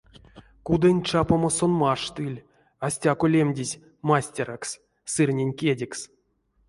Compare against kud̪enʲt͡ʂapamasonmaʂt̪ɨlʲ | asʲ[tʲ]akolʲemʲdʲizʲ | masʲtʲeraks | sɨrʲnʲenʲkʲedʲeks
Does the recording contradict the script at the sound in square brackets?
no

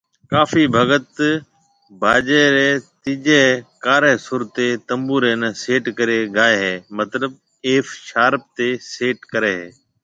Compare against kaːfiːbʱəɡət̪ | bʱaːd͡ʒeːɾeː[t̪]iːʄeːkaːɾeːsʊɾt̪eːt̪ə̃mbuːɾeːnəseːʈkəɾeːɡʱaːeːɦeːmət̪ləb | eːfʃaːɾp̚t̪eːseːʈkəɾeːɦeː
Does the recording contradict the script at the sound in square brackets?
no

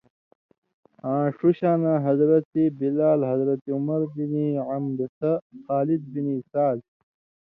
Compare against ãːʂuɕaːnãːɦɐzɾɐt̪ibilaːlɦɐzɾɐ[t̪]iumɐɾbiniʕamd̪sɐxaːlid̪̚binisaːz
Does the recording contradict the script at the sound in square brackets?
no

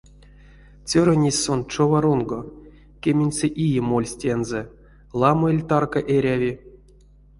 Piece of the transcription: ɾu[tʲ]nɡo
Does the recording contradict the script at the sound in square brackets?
yes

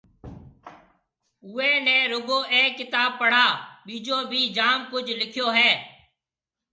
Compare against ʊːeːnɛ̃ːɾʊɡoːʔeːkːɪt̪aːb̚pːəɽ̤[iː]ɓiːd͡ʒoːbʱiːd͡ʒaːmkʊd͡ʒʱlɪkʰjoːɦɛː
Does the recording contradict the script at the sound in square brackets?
yes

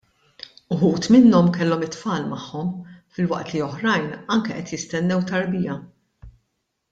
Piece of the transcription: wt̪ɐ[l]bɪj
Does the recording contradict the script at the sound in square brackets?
yes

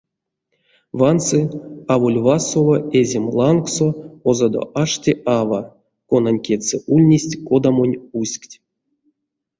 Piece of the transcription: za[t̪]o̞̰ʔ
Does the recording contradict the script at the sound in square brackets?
yes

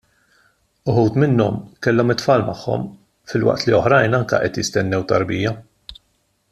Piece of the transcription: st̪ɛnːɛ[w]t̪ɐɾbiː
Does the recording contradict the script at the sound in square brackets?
no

